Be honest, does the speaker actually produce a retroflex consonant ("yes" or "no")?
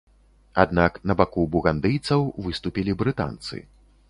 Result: no